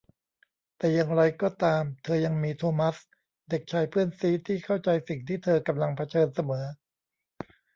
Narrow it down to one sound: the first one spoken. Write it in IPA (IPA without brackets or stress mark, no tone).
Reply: t̪